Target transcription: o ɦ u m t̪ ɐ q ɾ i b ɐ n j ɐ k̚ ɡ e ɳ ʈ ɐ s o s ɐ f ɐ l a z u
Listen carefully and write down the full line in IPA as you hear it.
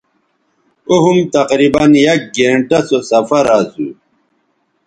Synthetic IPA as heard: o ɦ u m t̪ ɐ q ɾ i b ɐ n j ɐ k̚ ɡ e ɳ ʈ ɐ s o s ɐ f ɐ ɾ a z u